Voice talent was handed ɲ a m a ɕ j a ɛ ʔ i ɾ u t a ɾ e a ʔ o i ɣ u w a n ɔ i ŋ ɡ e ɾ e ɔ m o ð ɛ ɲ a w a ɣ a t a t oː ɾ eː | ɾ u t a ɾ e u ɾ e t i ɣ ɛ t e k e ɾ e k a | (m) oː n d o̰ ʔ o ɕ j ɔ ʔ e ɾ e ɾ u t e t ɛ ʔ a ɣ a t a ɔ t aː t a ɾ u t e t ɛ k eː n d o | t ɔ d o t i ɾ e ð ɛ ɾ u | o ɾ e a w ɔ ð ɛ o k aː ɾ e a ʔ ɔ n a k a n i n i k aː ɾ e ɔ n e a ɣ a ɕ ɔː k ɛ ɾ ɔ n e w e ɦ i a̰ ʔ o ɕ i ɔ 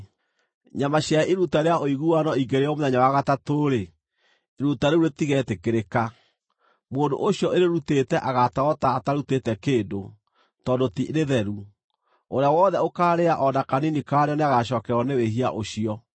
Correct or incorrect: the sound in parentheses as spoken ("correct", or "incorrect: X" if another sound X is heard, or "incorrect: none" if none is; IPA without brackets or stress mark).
correct